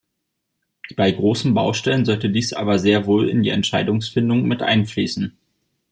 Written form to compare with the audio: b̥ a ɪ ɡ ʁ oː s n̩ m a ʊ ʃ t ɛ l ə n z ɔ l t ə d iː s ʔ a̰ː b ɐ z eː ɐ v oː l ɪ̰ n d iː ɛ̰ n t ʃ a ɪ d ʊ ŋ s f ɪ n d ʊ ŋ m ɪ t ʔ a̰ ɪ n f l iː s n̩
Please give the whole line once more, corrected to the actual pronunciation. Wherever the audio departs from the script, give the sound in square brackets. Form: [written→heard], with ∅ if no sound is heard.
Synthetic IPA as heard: b̥ a ɪ ɡ ʁ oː s n̩ [m→b] a ʊ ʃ t ɛ l ə n z ɔ l t ə d iː s ʔ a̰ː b ɐ z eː ɐ v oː l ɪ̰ n d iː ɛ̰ n t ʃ a ɪ d ʊ ŋ s f ɪ n d ʊ ŋ m ɪ t ʔ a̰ ɪ n f l iː s n̩